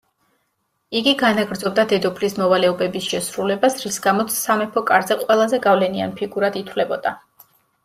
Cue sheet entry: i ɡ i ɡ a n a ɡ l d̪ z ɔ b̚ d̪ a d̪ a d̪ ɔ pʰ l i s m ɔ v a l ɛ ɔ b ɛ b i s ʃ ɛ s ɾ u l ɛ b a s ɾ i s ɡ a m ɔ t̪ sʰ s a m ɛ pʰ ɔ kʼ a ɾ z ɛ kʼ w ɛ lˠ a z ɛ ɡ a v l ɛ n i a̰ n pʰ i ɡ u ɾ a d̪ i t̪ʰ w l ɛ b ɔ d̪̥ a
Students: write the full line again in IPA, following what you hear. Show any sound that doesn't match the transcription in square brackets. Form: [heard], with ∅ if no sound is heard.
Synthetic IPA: i ɡ i ɡ a n a ɡ [ɾ] d̪ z ɔ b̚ d̪ a d̪ [ɛ] d̪ ɔ pʰ l i s m ɔ v a l ɛ ɔ b ɛ b i s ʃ ɛ s ɾ u l ɛ b a s ɾ i s ɡ a m ɔ t̪ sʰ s a m ɛ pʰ ɔ kʼ a ɾ z ɛ [qʼ] w ɛ lˠ a z ɛ ɡ a v l ɛ n i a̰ n pʰ i ɡ u ɾ a d̪ i t̪ʰ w l ɛ b ɔ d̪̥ a

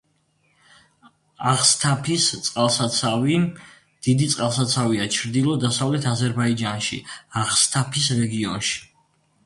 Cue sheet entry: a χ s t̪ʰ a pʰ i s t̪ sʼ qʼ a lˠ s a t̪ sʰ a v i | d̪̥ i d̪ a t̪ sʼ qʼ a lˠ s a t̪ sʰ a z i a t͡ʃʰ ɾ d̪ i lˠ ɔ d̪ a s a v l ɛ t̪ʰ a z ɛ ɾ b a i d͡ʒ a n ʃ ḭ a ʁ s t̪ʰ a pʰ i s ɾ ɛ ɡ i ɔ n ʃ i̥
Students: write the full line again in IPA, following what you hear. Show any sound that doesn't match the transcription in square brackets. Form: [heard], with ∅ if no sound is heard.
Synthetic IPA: a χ s t̪ʰ a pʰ i s t̪ sʼ qʼ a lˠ s a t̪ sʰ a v i | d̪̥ i d̪ [i] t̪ sʼ qʼ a lˠ s a t̪ sʰ a [v] i a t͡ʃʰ ɾ d̪ i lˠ ɔ d̪ a s a v l ɛ t̪ʰ a z ɛ ɾ b a i d͡ʒ a n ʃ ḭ a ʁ s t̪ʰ a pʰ i s ɾ ɛ ɡ i ɔ n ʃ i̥

